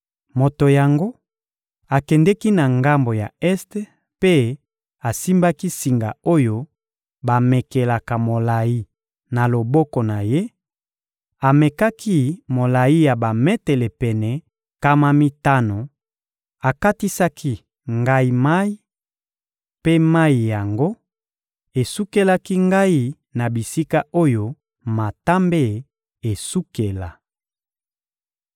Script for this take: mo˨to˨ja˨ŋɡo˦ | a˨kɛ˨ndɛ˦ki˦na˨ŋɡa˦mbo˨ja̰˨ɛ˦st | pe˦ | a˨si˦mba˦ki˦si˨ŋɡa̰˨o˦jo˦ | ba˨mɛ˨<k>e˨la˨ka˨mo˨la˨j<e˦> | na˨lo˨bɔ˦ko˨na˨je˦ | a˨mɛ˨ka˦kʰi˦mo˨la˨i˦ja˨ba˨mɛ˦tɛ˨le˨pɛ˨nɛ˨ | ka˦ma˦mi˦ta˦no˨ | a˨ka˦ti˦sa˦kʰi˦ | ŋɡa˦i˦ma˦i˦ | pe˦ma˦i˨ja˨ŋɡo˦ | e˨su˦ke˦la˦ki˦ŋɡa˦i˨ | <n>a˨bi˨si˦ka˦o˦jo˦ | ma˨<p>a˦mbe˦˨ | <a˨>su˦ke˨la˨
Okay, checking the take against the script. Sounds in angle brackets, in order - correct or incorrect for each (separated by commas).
correct, incorrect, correct, incorrect, incorrect